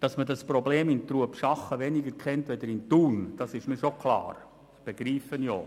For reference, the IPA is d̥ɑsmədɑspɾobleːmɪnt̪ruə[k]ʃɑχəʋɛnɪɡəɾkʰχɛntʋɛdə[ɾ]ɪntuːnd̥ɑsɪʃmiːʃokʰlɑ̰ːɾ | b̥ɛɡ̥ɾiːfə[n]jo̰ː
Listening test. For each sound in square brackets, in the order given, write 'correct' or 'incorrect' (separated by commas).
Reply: incorrect, correct, correct